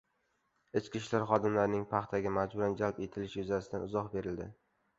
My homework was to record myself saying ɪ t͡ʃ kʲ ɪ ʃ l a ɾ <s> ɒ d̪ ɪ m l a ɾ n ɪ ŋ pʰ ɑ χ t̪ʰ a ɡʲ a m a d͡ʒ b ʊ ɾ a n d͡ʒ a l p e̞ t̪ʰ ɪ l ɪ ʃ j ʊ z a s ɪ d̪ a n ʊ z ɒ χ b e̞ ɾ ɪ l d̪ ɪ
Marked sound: incorrect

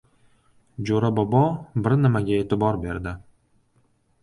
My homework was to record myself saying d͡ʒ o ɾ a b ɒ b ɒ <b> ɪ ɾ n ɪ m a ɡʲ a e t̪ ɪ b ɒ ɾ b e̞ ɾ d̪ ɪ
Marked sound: correct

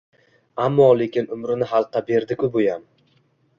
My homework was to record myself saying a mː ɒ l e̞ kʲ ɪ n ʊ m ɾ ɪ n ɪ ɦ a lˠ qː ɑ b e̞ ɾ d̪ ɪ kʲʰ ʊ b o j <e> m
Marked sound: incorrect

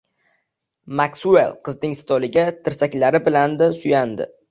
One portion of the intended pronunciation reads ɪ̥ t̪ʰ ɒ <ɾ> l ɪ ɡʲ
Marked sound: incorrect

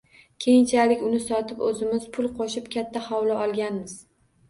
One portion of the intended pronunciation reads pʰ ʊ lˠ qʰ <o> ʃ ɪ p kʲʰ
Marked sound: correct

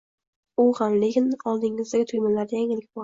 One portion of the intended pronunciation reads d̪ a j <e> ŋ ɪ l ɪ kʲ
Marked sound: incorrect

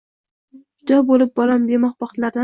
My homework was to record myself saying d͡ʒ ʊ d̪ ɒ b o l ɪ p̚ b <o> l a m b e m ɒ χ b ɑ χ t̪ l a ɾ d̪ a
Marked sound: incorrect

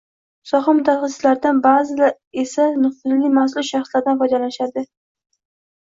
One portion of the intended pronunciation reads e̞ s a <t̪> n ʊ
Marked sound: incorrect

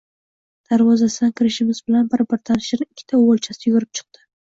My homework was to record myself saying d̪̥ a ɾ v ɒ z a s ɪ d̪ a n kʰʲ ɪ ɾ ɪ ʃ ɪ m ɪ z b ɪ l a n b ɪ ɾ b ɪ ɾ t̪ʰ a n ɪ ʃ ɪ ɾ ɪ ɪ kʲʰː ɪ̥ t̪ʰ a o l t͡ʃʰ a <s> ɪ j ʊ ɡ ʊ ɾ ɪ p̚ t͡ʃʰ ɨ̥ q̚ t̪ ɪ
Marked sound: correct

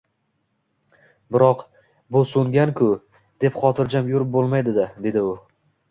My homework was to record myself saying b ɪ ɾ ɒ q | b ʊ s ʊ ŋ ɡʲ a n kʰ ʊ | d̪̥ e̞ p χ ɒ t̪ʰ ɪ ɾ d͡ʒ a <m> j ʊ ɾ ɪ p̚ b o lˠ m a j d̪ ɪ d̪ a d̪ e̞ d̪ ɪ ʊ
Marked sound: correct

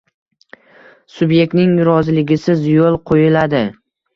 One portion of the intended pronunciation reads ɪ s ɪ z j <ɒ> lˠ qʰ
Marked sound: incorrect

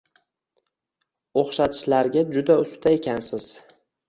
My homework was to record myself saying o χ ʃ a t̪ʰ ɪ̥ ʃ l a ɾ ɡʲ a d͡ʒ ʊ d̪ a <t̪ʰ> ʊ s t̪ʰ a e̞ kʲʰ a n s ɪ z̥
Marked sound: incorrect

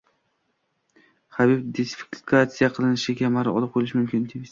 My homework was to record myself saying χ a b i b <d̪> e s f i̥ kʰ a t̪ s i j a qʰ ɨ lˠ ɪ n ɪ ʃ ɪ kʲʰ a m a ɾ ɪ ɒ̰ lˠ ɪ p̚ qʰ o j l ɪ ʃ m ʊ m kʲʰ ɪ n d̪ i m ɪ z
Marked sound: correct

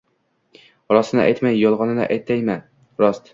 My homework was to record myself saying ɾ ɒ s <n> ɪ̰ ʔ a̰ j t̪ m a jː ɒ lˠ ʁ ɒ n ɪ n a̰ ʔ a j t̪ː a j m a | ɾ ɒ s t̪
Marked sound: correct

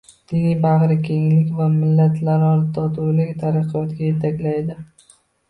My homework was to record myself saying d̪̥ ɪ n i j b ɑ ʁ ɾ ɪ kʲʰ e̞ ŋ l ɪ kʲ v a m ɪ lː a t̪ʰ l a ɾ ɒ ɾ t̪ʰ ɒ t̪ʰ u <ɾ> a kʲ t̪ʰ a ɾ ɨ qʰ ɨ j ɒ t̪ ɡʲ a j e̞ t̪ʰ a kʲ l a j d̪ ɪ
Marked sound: incorrect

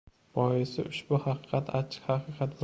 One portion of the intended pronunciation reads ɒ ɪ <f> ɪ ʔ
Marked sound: incorrect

